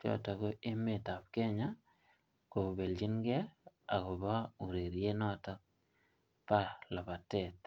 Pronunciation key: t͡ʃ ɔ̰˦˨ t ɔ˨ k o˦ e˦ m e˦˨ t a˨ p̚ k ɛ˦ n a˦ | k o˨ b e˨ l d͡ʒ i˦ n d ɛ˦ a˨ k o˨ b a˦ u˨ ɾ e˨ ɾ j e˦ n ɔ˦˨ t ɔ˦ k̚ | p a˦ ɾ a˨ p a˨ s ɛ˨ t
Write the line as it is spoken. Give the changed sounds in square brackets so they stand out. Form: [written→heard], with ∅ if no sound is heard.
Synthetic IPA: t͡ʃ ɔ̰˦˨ t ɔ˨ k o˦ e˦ m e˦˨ t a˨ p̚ k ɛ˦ [n→ɲ] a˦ | k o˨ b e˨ l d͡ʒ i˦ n [d→ɡ] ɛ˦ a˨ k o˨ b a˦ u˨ ɾ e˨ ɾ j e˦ n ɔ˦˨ t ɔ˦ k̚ | p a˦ [ɾ→l] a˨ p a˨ [s→t] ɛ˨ t